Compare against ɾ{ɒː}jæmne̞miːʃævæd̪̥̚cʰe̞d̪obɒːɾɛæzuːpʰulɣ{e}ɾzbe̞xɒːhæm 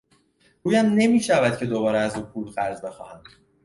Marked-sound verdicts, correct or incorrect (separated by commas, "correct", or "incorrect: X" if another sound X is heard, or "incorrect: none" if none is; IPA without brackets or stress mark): incorrect: uː, incorrect: æ